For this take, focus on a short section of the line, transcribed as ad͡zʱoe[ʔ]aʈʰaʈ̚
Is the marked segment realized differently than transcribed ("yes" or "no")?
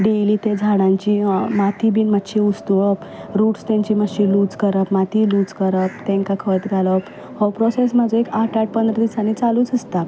yes